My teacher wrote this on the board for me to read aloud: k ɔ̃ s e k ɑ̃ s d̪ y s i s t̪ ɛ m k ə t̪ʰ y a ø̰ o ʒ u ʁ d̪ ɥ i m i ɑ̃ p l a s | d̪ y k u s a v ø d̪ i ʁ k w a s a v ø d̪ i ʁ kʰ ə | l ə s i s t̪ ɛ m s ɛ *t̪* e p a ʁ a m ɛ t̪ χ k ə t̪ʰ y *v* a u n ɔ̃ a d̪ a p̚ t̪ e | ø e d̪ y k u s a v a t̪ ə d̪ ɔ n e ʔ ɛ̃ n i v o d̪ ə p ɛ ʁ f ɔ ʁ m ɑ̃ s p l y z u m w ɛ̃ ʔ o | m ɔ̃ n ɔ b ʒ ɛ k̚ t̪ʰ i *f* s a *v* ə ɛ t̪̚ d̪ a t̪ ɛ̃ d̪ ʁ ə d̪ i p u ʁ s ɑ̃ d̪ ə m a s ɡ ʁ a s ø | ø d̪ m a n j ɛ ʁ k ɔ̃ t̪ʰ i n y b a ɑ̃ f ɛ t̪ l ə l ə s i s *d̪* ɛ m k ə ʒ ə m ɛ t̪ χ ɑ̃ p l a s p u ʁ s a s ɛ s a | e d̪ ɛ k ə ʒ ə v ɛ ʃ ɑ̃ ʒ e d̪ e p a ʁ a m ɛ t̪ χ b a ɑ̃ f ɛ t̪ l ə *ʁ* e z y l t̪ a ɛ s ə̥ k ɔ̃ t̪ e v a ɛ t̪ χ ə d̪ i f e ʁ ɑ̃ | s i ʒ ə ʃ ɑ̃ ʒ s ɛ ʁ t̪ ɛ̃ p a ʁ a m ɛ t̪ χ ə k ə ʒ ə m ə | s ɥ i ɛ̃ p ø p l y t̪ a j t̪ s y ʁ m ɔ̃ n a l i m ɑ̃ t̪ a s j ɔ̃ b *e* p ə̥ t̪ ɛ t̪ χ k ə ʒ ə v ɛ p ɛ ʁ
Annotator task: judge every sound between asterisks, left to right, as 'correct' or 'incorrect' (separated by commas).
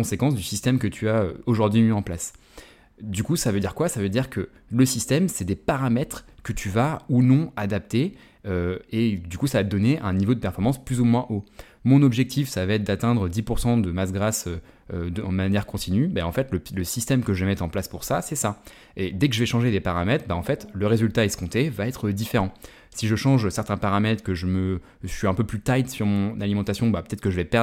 incorrect, correct, correct, correct, incorrect, correct, incorrect